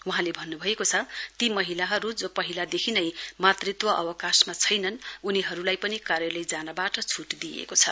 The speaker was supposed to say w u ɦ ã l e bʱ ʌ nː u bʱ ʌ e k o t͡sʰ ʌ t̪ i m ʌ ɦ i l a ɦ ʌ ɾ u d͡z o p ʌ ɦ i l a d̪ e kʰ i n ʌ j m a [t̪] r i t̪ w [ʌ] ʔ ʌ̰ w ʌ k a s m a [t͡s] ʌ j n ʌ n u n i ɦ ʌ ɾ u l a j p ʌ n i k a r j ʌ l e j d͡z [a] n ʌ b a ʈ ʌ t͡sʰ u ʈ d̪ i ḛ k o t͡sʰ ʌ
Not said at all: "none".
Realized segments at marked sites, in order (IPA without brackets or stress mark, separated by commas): t̪, ʌ, t͡sʰ, a